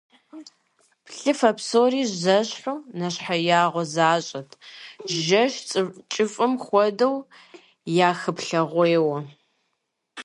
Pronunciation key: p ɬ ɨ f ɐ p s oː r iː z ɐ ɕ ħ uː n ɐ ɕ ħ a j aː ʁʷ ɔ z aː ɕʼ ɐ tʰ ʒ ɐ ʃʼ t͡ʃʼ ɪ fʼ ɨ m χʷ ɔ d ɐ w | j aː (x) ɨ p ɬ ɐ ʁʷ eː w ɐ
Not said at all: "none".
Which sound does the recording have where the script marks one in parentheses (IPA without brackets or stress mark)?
x